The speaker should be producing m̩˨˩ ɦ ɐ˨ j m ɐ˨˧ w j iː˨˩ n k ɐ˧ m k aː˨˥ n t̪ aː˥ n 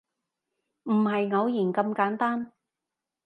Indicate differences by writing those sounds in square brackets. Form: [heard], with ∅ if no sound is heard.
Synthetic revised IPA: m̩˨˩ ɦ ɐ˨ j [ŋ] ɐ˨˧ w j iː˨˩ n k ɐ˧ m k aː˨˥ n t̪ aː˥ n